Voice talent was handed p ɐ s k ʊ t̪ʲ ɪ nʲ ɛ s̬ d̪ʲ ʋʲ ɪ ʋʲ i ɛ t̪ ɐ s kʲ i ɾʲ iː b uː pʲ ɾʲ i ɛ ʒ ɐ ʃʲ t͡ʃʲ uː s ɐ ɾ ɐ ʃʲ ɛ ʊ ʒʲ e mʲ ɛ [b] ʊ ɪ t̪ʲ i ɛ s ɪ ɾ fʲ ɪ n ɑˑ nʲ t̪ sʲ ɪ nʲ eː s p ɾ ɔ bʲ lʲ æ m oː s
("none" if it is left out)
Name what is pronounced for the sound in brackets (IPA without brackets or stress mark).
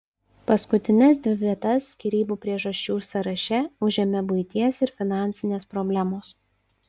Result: b